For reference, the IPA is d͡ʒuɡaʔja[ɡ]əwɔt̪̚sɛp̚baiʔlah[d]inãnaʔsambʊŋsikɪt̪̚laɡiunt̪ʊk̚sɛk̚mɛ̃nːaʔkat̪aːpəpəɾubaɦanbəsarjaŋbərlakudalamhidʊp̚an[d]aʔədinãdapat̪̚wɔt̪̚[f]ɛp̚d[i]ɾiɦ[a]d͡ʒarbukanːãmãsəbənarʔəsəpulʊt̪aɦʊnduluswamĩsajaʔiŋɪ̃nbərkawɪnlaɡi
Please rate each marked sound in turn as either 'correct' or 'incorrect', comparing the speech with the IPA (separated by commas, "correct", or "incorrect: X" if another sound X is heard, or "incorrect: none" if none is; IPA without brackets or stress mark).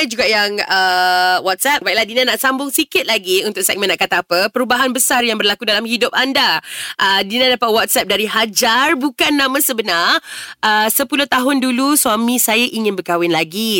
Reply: incorrect: ŋ, correct, correct, incorrect: s, incorrect: a, correct